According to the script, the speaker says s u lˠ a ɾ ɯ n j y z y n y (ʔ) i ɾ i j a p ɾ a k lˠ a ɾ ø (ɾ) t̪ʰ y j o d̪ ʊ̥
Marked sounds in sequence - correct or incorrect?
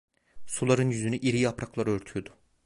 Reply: correct, correct

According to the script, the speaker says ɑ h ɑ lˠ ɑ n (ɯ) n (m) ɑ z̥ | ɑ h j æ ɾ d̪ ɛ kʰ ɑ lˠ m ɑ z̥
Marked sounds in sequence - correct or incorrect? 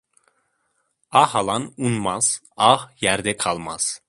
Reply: incorrect, correct

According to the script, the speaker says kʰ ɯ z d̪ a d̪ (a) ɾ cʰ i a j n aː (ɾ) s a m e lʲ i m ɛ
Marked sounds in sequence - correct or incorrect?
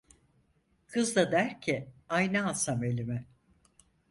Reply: incorrect, incorrect

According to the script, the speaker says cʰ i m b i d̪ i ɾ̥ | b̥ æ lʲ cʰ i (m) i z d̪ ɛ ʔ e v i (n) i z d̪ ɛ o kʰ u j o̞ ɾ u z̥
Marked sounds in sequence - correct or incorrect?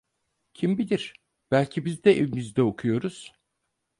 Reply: incorrect, incorrect

